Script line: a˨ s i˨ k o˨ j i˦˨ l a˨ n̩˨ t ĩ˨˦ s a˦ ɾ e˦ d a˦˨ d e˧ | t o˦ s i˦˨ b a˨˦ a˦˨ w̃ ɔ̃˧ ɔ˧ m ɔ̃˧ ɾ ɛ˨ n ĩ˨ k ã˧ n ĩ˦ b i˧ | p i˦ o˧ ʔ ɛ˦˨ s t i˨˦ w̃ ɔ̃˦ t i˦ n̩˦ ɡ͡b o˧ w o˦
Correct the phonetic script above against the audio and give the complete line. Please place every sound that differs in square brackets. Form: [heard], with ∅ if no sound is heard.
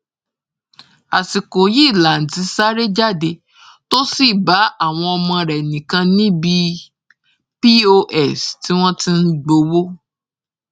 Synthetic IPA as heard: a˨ s i˨ k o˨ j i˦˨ l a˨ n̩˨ t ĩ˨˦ s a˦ ɾ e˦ [d͡ʒ] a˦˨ d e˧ | t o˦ s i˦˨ b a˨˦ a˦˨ w̃ ɔ̃˧ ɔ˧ m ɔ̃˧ ɾ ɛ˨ n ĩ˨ k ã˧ n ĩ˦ b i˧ | p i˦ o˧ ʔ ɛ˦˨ s t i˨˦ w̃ ɔ̃˦ t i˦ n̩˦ ɡ͡b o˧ w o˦